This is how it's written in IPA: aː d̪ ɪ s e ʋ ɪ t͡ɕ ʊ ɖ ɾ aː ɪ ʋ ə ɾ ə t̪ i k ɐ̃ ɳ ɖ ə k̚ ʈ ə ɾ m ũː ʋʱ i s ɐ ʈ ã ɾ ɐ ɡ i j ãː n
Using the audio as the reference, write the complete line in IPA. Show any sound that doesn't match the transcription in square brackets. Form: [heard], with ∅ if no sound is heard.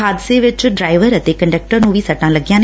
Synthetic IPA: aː d̪ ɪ s e ʋ ɪ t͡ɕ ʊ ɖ ɾ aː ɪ ʋ ə ɾ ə t̪ [e] k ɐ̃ ɳ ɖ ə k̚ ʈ ə ɾ [n] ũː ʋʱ i s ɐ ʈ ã [l] ɐ ɡ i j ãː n

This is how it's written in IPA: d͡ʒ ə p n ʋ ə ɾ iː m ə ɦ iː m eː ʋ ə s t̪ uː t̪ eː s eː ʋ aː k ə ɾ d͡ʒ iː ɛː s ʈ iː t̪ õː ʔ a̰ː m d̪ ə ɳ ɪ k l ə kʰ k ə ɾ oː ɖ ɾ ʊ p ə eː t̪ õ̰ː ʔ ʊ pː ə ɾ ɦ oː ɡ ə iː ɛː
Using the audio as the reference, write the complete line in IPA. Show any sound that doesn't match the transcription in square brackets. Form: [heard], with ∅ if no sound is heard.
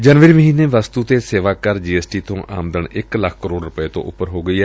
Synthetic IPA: d͡ʒ ə [∅] n ʋ ə ɾ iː m ə ɦ iː [n] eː ʋ ə s t̪ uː t̪ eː s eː ʋ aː k ə ɾ d͡ʒ iː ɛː s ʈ iː t̪ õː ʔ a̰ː m d̪ ə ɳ ɪ k l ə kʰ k ə ɾ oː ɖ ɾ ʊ p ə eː t̪ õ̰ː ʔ ʊ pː ə ɾ ɦ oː ɡ ə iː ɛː

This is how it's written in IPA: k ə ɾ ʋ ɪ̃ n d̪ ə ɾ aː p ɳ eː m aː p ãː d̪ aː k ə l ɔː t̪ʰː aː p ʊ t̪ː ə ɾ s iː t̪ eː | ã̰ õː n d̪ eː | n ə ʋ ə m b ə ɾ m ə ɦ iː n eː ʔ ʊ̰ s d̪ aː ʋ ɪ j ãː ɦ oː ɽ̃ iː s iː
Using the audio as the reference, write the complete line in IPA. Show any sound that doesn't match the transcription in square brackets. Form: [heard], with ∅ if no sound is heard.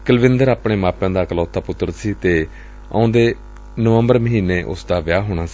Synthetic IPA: k ə [l] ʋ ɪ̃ n d̪ ə ɾ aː p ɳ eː m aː p ãː d̪ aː k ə l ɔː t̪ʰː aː p ʊ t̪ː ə ɾ s iː t̪ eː | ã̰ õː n d̪ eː | n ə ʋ ə m b ə ɾ m ə ɦ iː n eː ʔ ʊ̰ s d̪ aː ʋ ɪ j [aː] ɦ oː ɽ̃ [aː] s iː

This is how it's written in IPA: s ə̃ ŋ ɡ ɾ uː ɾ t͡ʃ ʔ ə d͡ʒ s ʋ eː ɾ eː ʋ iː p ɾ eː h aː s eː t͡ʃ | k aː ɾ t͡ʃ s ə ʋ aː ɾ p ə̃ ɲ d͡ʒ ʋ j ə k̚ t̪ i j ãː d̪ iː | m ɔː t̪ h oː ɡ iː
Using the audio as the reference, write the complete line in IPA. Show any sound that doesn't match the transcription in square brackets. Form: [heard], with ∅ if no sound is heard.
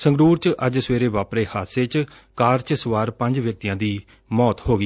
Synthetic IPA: s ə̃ ŋ ɡ ɾ uː ɾ t͡ʃ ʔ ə d͡ʒ s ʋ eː ɾ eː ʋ [aː] p ɾ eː h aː s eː t͡ʃ | k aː ɾ t͡ʃ s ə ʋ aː ɾ p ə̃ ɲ d͡ʒ ʋ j ə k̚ t̪ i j ãː d̪ iː | m ɔː t̪ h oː ɡ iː

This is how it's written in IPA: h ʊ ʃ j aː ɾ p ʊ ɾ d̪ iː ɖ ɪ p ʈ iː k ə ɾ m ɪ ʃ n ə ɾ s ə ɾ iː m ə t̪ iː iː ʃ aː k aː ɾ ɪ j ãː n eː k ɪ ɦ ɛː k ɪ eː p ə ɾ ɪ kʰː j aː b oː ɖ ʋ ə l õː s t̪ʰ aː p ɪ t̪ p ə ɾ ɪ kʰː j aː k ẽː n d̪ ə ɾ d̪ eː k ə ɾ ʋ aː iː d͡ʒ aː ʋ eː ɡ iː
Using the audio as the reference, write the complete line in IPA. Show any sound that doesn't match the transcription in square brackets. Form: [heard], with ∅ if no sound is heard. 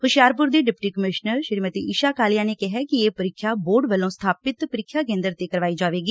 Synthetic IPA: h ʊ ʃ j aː ɾ p ʊ ɾ d̪ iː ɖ ɪ p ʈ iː k ə [∅] m ɪ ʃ n ə ɾ [ʃ] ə ɾ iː m ə t̪ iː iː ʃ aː k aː [l] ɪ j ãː n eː k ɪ ɦ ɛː k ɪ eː p ə ɾ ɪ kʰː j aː b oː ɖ ʋ ə l õː s t̪ʰ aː p ɪ t̪ p ə ɾ ɪ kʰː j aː k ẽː n d̪ ə ɾ [t̪] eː k ə ɾ ʋ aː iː d͡ʒ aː ʋ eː ɡ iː

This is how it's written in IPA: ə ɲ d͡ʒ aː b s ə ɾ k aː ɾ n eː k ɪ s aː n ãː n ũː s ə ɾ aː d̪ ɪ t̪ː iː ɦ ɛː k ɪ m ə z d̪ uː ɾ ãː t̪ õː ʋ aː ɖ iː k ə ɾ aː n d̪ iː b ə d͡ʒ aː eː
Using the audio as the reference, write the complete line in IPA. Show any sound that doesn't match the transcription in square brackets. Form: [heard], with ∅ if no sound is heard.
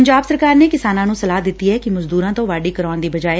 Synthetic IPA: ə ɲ d͡ʒ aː b s ə ɾ k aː ɾ n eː k ɪ s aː n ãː n ũː s ə [l] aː d̪ ɪ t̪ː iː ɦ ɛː k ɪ m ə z d̪ uː ɾ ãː t̪ õː ʋ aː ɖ iː k ə ɾ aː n d̪ iː b ə d͡ʒ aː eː

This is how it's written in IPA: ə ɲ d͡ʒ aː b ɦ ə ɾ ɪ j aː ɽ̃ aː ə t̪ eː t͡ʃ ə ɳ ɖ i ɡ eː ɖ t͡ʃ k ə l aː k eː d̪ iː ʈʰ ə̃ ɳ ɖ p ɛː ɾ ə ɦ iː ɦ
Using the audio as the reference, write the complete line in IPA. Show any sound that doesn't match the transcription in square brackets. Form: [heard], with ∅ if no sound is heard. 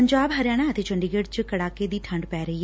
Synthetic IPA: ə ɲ d͡ʒ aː b ɦ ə ɾ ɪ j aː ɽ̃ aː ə t̪ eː t͡ʃ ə ɳ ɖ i ɡ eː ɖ t͡ʃ k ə [ɽ] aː k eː d̪ iː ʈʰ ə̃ ɳ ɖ p ɛː ɾ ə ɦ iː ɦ

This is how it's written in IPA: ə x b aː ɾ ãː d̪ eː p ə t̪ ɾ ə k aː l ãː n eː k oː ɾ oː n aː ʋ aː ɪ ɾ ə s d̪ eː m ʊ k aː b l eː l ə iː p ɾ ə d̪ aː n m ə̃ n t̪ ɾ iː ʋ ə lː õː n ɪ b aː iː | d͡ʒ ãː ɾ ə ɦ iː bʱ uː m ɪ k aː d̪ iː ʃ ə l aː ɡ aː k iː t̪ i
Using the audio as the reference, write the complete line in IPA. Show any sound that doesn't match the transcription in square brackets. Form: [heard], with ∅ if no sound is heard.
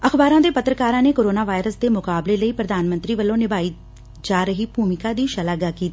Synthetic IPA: ə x b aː ɾ ãː d̪ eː p ə t̪ ɾ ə k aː [ɾ] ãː n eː k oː ɾ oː n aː ʋ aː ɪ ɾ ə s d̪ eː m ʊ k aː b l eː l ə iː p ɾ ə d̪ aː n m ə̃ n t̪ ɾ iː ʋ ə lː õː n ɪ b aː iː | d͡ʒ [aː] ɾ ə ɦ iː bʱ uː m ɪ k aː d̪ iː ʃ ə l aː ɡ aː k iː t̪ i

